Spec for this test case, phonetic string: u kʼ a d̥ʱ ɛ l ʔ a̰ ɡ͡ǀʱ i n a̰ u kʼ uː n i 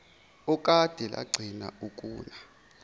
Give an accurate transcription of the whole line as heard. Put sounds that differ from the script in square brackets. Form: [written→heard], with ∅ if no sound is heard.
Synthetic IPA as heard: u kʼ a d̥ʱ ɛ l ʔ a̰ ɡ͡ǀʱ i n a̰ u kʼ uː n [i→a]